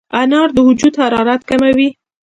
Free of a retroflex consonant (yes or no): yes